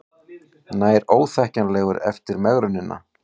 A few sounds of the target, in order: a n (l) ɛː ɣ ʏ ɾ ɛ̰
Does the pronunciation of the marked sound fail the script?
no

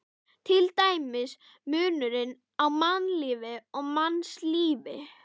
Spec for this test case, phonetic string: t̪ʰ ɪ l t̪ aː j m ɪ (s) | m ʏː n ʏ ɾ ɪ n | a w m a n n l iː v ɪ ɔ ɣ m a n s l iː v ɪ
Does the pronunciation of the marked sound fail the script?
no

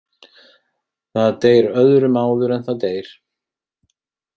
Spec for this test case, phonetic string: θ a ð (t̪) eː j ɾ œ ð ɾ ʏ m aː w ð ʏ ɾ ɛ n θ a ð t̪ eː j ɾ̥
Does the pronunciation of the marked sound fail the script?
no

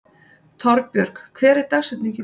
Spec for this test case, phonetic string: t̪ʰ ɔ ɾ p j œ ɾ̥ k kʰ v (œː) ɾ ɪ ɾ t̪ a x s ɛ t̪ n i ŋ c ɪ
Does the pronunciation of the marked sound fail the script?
yes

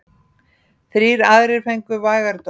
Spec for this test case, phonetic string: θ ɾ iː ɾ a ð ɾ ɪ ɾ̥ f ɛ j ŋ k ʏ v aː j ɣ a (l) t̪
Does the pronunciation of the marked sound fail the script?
yes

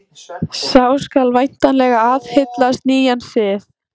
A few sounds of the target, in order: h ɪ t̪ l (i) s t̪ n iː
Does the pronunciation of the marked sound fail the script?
yes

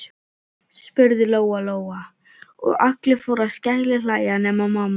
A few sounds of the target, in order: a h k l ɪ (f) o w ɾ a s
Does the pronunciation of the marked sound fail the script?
no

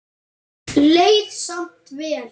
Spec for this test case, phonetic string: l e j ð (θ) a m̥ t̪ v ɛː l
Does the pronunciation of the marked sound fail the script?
yes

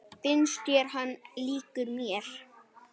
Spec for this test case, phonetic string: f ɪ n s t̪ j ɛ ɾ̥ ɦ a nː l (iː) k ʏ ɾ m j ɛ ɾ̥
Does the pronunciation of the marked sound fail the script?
no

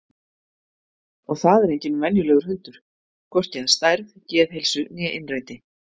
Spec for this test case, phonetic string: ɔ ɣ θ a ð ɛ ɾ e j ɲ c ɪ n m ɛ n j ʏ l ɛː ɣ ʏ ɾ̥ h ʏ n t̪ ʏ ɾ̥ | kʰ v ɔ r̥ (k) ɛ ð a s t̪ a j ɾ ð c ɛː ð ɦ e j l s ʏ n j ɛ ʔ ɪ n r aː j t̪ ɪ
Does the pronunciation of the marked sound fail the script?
yes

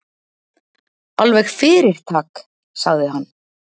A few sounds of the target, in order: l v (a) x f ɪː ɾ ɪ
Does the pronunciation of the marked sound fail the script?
yes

